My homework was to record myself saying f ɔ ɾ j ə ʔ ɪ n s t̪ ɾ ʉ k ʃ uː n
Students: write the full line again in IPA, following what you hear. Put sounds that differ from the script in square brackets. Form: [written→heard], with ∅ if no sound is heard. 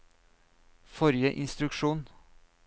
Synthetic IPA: f ɔ ɾ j ə ʔ ɪ n s t̪ ɾ ʉ k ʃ uː n